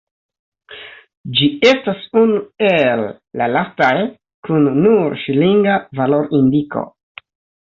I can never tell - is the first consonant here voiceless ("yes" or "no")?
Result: no